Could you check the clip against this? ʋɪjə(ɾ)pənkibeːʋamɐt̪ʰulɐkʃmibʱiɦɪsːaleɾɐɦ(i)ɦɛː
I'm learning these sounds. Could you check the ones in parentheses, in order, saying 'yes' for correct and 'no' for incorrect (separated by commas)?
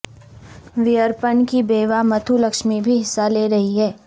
yes, yes